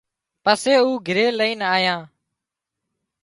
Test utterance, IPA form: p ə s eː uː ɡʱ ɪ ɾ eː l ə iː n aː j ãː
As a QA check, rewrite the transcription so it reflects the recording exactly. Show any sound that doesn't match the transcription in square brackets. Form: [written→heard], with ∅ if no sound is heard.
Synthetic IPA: p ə s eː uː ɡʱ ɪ ɾ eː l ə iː n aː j ãː